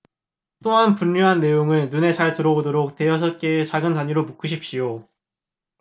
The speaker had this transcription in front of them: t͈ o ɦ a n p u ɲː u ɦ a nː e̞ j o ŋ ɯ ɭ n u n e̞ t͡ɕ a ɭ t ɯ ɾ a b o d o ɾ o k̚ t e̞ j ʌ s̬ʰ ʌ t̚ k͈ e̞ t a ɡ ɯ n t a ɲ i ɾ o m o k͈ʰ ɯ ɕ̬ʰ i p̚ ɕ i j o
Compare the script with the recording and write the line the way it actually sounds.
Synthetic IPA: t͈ o ɦ a n p u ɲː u ɦ a nː e̞ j o ŋ ɯ ɭ n u n e̞ t͡ɕ a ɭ t ɯ ɾ ʌ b o d o ɾ o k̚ t e̞ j ʌ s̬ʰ ʌ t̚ k͈ e̞ t͡ɕ a ɡ ɯ n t a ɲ i ɾ o m u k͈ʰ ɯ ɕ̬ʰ i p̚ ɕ i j o